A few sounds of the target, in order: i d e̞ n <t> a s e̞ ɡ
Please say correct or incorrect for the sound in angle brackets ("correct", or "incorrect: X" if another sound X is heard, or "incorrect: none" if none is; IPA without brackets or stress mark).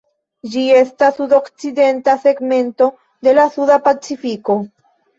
correct